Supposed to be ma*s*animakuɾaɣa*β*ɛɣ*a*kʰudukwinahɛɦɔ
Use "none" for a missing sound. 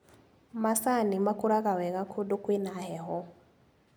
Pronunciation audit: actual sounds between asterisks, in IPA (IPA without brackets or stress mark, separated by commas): s, w, a